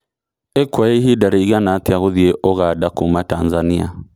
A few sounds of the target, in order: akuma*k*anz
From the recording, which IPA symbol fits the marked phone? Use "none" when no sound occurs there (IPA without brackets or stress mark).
t